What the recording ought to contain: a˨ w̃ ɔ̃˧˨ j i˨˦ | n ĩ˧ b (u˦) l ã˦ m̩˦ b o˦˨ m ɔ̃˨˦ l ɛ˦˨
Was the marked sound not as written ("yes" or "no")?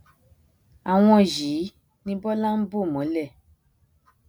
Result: yes